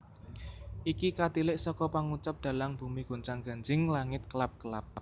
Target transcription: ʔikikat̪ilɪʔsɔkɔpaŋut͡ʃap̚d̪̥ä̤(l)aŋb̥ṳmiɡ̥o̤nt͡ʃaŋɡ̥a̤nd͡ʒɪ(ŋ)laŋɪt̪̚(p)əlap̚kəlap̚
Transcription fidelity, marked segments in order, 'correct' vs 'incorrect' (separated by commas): correct, correct, incorrect